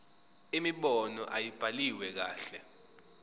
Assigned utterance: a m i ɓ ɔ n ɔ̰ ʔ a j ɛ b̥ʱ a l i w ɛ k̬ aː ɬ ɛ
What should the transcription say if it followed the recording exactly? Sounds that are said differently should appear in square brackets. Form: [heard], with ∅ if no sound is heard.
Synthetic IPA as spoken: [i] m i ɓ ɔ n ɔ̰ ʔ a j [i] b̥ʱ a l i w ɛ k̬ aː ɬ ɛ